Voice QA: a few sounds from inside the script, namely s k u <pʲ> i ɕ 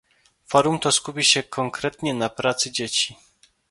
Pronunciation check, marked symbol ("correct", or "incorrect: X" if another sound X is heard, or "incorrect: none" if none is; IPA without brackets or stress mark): correct